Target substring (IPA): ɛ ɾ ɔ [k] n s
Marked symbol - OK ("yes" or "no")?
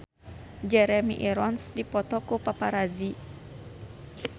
no